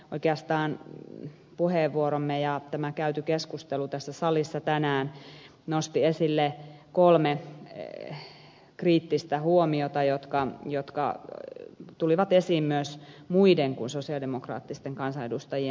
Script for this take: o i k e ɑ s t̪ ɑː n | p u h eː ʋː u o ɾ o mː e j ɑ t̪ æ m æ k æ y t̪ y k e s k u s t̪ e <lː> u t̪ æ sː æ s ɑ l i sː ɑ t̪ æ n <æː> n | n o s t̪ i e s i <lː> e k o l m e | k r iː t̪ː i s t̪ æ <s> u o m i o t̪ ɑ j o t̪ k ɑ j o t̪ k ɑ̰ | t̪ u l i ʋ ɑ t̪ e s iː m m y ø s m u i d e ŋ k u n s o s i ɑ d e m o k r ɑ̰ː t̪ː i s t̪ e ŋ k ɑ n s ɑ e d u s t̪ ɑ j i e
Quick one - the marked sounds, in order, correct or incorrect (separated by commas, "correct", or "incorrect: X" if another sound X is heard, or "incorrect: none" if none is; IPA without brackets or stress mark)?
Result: incorrect: l, correct, correct, incorrect: h